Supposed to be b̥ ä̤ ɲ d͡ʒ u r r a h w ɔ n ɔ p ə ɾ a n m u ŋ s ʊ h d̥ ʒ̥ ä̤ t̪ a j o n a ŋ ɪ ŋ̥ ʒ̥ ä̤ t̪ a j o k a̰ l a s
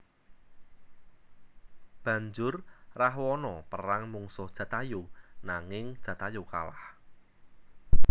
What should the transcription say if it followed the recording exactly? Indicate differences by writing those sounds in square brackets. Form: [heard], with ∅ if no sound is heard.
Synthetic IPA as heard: b̥ ä̤ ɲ d͡ʒ [ʊ] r r a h w ɔ n ɔ p ə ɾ a [ŋ] m u ŋ s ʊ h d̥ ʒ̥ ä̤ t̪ a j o n a ŋ ɪ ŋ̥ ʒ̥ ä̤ t̪ a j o k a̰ l a [h]